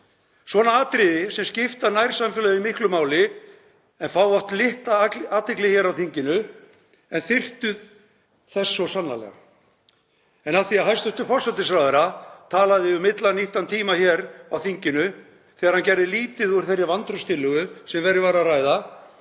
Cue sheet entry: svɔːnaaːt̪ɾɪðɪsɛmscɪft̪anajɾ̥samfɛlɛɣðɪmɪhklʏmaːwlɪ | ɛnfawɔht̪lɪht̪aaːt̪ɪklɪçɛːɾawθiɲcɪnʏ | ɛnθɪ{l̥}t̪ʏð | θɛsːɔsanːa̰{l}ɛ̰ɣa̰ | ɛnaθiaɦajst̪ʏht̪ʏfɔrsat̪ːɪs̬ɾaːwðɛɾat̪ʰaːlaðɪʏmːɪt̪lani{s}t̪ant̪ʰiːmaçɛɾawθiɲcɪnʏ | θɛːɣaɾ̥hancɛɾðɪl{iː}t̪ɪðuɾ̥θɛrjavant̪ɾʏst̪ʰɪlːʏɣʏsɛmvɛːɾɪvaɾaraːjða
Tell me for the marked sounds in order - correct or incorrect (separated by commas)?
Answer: incorrect, correct, incorrect, correct